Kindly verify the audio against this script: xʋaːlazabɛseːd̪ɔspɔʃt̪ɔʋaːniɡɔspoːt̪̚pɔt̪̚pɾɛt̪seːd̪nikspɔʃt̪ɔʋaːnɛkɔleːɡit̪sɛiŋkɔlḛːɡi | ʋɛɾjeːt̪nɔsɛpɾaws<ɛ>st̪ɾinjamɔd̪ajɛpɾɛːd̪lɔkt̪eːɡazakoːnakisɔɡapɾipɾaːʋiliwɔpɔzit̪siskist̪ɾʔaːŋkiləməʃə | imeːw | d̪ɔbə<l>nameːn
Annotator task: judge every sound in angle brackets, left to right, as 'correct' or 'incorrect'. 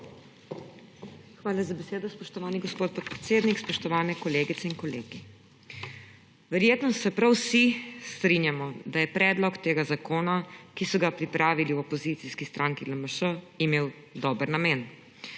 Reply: incorrect, incorrect

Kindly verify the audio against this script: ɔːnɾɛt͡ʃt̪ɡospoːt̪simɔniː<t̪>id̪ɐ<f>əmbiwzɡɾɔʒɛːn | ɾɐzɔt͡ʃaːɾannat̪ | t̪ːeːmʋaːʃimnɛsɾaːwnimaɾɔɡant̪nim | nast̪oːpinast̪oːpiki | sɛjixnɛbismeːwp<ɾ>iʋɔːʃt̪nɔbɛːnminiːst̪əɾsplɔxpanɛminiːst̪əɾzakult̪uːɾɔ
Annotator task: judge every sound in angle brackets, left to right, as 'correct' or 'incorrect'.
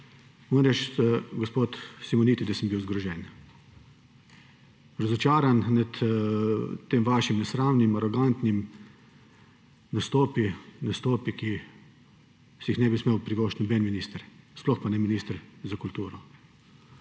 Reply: correct, incorrect, correct

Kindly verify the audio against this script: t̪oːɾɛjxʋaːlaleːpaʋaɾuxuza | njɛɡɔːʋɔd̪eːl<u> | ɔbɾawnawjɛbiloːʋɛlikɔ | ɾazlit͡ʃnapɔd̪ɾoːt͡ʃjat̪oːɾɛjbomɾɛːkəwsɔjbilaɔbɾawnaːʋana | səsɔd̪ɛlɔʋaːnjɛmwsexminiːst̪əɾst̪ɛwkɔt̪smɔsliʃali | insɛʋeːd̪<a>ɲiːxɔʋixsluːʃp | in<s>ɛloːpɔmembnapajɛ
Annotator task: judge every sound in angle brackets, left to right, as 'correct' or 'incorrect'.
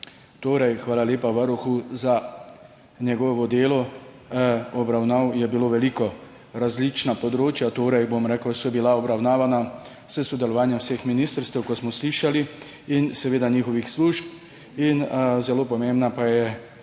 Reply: incorrect, correct, incorrect

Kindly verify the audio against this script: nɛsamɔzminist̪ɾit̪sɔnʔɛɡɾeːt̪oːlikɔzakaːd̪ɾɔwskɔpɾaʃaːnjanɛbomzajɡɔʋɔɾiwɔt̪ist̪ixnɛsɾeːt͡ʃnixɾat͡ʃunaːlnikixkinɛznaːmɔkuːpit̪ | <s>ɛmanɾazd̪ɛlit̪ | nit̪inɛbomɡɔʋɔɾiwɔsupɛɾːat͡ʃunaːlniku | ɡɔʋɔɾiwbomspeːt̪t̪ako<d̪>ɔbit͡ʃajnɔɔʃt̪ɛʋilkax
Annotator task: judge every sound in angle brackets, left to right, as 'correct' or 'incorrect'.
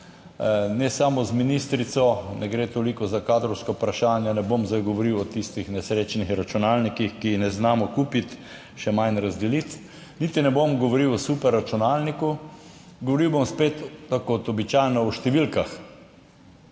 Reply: incorrect, incorrect

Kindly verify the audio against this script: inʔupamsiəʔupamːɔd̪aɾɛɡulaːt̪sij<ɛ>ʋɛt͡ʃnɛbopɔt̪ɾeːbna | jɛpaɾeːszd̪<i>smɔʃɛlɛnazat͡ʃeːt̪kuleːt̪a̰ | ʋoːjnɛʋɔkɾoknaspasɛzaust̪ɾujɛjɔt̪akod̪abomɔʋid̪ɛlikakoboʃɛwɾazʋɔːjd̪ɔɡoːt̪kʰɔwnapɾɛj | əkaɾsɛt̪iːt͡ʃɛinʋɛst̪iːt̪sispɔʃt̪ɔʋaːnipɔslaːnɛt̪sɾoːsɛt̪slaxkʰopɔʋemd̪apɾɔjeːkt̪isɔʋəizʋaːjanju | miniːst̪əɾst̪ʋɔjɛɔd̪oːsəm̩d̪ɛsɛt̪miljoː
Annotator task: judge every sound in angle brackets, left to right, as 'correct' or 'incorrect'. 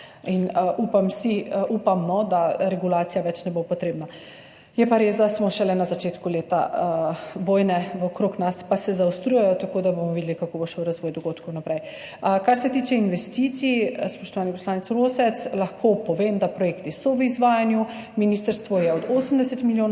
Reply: incorrect, incorrect

